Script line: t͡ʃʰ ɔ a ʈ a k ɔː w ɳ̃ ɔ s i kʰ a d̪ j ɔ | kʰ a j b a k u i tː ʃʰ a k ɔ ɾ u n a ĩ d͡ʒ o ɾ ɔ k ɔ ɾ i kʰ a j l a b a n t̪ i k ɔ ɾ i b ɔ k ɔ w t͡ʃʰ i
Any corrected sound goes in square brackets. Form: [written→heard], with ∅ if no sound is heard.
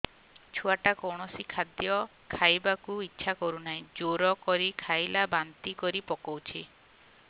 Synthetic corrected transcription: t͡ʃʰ [ɔ→u] a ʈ a k [ɔː→ɔ] w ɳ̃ ɔ s i kʰ a d̪ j ɔ | kʰ a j b a k u i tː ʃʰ a k ɔ ɾ u n a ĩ d͡ʒ o ɾ ɔ k ɔ ɾ i kʰ a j l a b a n t̪ i k ɔ ɾ i [b→p] ɔ k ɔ w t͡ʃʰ i